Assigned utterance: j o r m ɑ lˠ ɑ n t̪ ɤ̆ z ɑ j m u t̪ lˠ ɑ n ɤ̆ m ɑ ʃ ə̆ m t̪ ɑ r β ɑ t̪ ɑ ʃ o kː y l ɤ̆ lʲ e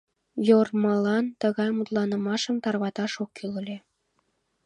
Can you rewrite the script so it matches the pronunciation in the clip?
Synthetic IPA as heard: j o r m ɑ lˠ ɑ n t̪ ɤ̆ ɣ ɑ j m u t̪ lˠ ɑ n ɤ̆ m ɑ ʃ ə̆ m t̪ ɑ r β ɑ t̪ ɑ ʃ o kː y l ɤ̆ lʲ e